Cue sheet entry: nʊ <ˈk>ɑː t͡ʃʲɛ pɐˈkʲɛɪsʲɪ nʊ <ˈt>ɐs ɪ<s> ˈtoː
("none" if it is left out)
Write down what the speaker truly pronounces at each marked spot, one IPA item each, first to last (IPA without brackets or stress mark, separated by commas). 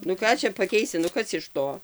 k, k, ʃ